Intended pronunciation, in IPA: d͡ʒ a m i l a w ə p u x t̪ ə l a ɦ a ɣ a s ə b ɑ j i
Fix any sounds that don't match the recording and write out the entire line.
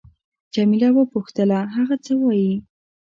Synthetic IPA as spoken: d͡ʒ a m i l a w ə p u x t̪ ə l a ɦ a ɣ a t͡s ə w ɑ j i

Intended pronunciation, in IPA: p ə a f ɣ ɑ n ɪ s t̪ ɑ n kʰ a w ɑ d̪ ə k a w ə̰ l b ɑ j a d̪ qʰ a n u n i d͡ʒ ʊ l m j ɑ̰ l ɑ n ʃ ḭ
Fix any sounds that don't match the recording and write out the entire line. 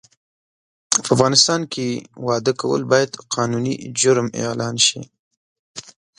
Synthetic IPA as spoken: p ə a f ɣ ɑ n ɪ s t̪ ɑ n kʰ e w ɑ d̪ ə k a w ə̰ l b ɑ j a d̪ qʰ ɑ n u n i d͡ʒ ʊ ɾ m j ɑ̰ l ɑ n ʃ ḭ

